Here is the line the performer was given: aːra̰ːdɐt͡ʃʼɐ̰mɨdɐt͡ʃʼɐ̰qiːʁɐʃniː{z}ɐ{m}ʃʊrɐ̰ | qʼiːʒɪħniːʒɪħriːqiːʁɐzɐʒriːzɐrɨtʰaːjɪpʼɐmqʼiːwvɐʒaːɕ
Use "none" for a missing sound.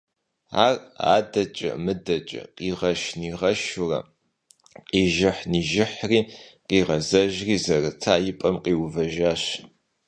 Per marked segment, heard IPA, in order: ʁ, none

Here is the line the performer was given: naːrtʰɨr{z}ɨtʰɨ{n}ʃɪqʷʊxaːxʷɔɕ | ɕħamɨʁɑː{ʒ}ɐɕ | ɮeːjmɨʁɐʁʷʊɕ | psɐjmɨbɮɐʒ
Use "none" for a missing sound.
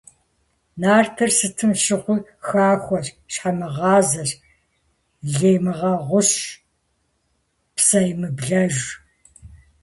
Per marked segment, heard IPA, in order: s, m, z

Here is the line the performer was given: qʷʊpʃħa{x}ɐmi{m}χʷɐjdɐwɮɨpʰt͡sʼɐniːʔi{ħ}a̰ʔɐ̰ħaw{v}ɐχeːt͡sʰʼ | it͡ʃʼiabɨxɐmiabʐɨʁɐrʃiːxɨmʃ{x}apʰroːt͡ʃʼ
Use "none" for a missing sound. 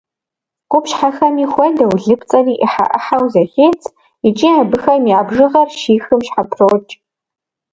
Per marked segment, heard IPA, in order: x, none, ħ, z, ħ

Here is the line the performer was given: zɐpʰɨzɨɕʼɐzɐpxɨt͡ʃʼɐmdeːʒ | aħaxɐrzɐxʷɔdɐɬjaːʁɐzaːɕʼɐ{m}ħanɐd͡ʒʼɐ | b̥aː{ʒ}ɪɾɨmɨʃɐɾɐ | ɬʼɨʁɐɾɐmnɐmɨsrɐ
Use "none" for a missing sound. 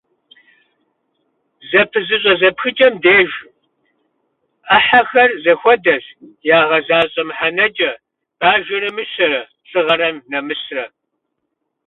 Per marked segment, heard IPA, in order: m, ʒ

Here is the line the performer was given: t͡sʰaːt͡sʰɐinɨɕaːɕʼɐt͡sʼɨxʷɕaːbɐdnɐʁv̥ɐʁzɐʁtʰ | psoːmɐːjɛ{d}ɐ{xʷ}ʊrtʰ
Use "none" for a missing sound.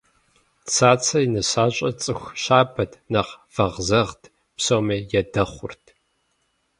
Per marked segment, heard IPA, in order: d, χʷ

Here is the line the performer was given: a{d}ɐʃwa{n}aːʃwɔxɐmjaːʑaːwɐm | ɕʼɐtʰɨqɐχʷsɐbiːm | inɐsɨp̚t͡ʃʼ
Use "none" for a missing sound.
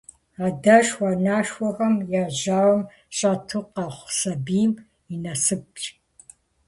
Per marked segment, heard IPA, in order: d, n

